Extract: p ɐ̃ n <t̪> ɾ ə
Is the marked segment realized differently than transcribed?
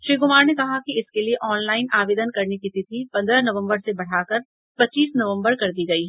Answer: yes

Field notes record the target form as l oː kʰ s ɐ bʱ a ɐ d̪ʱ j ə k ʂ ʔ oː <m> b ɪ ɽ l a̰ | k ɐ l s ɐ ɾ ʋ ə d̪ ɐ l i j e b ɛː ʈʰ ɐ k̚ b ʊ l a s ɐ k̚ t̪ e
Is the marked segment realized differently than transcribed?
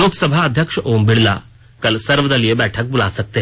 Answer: no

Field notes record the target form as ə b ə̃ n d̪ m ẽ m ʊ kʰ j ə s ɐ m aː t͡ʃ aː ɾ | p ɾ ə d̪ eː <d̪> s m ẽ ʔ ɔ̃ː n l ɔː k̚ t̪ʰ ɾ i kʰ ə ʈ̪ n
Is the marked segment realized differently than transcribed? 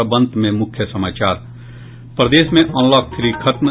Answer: yes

